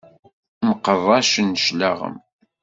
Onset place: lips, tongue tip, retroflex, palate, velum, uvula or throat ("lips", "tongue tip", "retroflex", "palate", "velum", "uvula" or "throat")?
lips